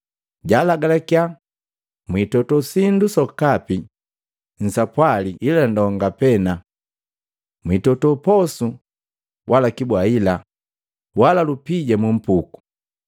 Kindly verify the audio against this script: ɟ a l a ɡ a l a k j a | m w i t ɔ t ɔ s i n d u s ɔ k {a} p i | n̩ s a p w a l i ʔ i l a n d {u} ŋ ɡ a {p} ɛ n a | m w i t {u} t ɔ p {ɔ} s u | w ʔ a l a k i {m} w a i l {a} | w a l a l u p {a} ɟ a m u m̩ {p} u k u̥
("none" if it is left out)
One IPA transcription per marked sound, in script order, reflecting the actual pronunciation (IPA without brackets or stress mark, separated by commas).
a, ɔ, p, ɔ, ɔ, b, a, i, p